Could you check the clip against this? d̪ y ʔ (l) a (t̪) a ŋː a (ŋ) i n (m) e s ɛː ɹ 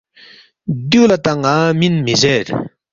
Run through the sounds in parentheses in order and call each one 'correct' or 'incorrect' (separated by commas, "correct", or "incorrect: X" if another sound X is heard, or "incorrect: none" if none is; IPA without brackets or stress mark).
correct, correct, incorrect: m, correct